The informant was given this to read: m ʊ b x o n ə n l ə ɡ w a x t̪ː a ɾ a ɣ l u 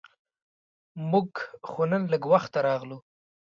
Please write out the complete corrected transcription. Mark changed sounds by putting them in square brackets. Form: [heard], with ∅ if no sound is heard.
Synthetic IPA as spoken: m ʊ [ɡ] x o n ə n l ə ɡ w a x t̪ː a ɾ [ɑ] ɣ l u